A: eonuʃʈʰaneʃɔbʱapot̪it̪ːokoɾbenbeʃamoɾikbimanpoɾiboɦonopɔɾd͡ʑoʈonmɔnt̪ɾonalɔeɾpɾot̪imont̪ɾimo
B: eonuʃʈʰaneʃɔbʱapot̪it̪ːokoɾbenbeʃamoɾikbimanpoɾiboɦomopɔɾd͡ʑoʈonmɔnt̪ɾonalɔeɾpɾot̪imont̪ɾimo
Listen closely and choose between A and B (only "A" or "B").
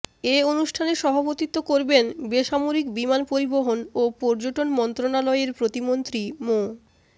A